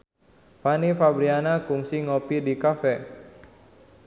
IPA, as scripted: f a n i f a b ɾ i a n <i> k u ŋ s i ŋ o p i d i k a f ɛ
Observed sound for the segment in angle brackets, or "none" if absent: a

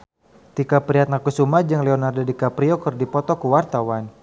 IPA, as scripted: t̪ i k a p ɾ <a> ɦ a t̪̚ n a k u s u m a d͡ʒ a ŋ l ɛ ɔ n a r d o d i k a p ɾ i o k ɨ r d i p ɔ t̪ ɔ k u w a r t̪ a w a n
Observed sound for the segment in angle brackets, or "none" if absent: i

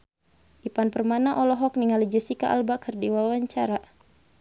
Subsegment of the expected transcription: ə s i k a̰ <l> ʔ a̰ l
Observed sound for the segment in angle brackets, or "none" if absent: none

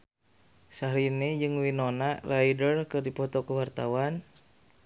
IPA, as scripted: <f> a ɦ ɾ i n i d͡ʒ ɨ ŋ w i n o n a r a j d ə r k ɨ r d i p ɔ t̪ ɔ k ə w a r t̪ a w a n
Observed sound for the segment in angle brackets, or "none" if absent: s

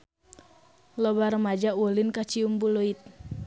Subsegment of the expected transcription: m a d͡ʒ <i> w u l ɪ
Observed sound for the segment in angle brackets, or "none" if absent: a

